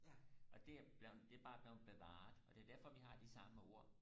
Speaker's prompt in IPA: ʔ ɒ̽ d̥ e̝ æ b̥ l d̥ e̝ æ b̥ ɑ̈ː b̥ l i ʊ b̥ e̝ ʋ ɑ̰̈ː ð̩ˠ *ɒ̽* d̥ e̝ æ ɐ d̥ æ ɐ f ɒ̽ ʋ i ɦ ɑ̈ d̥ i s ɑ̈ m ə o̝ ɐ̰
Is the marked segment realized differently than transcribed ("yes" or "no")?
no